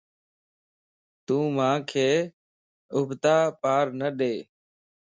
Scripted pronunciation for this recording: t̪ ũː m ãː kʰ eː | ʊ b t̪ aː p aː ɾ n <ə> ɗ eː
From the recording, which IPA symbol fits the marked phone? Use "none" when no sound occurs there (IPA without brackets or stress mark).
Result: ə